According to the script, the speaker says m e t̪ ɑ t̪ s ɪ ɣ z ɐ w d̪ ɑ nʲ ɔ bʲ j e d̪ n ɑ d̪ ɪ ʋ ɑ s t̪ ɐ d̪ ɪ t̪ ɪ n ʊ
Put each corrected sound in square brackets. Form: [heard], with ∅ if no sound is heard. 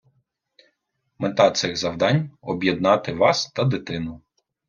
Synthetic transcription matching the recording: m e t̪ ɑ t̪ s ɪ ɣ z ɐ w d̪ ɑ nʲ ɔ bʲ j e d̪ n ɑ [t̪] ɪ ʋ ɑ s t̪ ɐ d̪ ɪ t̪ ɪ n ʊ